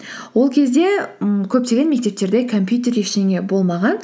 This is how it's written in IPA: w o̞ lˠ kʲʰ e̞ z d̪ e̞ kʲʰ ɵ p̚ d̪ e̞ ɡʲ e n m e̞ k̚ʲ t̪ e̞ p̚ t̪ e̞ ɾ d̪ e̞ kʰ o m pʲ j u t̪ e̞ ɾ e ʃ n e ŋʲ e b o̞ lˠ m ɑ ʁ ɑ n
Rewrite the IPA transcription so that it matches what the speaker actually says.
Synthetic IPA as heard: w o̞ lˠ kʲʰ e̞ z d̪ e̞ kʲʰ ɵ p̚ t̪ e̞ ɡʲ e n m e̞ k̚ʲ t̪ e̞ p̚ t̪ e̞ ɾ d̪ e̞ kʰ o m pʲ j u t̪ e̞ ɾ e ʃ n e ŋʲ e b o̞ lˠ m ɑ ʁ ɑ n

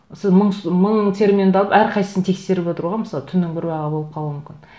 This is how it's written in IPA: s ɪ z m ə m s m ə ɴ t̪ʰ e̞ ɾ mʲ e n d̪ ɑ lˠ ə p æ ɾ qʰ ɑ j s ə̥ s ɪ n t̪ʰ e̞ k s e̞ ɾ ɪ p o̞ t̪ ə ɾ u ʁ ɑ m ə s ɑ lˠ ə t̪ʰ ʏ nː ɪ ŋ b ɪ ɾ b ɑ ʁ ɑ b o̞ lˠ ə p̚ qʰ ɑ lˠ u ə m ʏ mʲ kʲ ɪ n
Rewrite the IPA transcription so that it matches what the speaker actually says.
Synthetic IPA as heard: s ɪ z m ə ɴ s m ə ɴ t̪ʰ e̞ ɾ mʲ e n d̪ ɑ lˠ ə p æ ɾ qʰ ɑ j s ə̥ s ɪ n t̪ʰ e̞ k s e̞ ɾ ɪ p o̞ t̪ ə ɾ u ʁ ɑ m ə s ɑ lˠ ə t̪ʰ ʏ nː ɪ ŋ b ɪ ɾ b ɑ ʁ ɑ b o̞ lˠ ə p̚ qʰ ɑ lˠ u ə m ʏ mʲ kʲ ɪ n

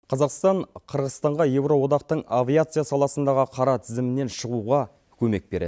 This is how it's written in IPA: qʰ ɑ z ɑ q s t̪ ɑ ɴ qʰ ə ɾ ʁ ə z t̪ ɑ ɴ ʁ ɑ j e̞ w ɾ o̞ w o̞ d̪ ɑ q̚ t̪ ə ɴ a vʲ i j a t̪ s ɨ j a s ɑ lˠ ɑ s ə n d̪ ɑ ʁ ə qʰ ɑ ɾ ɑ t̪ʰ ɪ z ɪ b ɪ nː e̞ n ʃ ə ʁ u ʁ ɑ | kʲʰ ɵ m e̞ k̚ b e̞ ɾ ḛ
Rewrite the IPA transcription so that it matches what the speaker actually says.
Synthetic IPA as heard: qʰ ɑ z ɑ q s t̪ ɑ ɴ qʰ ə ɾ ʁ ə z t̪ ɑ ɴ ʁ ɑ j e̞ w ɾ o̞ w o̞ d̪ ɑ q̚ t̪ ə ɴ a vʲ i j a t̪ s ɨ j a s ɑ lˠ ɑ s ə n d̪ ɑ ʁ ə qʰ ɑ ɾ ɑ t̪ʰ ɪ z ɪ m ɪ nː e̞ n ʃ ə ʁ u ʁ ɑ | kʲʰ ɵ m e̞ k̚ b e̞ ɾ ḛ

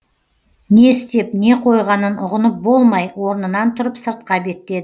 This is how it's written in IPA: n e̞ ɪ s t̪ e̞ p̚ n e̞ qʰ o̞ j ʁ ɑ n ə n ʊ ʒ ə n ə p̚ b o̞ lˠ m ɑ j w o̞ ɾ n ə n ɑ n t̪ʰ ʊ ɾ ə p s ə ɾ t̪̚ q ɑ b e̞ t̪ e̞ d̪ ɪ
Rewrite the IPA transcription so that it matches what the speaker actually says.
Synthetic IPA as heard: n e̞ ɪ s t̪ e̞ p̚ n e̞ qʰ o̞ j ʁ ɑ n ə n ʊ ʁ ə n ə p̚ b o̞ lˠ m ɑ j w o̞ ɾ n ə n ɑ n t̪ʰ ʊ ɾ ə p s ə ɾ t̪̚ q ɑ b e̞ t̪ e̞ d̪ ɪ

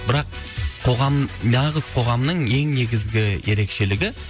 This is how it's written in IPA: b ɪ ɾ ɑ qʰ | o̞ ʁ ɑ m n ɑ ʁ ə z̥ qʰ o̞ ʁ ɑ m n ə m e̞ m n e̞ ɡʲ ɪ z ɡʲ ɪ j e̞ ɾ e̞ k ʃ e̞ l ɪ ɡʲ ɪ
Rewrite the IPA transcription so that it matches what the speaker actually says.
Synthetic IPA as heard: b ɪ ɾ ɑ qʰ | o̞ ʁ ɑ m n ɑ ʁ ə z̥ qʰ o̞ ʁ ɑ m n ə ɴ e̞ ŋ n e̞ ɡʲ ɪ z ɡʲ ɪ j e̞ ɾ e̞ k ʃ e̞ l ɪ ɡʲ ɪ

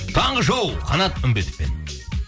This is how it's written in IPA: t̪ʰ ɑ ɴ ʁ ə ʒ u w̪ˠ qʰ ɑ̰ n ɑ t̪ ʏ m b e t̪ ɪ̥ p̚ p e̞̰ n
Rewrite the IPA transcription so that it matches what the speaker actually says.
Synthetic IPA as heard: t̪ʰ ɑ ɴ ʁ ə ʒ o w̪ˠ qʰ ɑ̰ n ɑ t̪ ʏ m b e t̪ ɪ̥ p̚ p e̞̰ n

